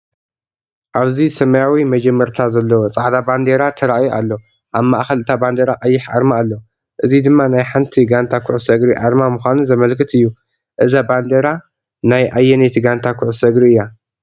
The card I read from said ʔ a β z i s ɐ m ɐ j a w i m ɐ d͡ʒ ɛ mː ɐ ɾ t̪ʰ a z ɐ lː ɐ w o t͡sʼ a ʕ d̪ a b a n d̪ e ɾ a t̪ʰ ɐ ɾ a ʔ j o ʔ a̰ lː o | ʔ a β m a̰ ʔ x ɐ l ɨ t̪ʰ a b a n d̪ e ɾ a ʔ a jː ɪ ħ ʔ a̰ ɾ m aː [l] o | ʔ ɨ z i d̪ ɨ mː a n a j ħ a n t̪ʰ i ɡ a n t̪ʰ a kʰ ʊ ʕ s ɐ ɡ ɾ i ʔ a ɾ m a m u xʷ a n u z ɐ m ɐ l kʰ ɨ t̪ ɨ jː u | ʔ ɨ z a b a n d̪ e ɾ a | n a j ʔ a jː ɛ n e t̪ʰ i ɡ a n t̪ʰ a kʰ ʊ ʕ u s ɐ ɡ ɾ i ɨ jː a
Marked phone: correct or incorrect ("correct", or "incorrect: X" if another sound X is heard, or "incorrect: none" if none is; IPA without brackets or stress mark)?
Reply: incorrect: lː